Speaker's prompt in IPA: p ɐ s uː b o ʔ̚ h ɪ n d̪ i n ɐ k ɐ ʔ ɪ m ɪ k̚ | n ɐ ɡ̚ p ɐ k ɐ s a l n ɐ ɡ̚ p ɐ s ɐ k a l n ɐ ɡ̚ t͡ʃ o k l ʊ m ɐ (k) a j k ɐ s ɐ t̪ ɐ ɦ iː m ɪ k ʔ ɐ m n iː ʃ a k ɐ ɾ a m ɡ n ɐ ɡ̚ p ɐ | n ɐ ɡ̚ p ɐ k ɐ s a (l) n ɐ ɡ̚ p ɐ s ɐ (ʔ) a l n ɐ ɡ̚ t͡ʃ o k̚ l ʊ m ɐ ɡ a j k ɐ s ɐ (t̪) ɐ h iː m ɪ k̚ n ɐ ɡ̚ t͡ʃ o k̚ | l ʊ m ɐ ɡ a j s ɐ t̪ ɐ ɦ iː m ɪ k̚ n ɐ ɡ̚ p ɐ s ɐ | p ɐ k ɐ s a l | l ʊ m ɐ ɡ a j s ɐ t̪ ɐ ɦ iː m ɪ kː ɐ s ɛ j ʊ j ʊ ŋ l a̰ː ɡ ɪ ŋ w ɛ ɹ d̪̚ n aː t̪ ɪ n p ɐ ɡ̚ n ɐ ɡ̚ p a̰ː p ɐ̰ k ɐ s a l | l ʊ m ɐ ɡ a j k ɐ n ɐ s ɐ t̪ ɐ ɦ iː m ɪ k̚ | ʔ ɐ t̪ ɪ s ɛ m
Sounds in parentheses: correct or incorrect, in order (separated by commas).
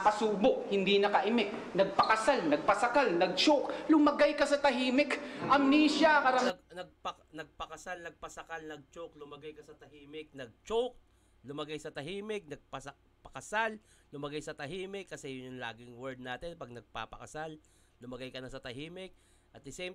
incorrect, correct, incorrect, correct